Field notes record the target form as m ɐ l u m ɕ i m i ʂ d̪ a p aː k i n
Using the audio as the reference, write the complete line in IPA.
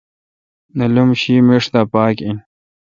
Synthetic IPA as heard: n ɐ l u m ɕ i m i ʂ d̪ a p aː k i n